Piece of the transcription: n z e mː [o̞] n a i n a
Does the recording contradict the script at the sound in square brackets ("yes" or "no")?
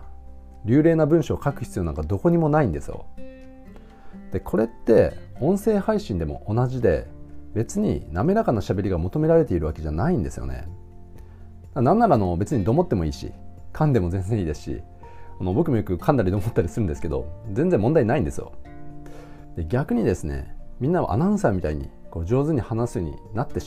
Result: yes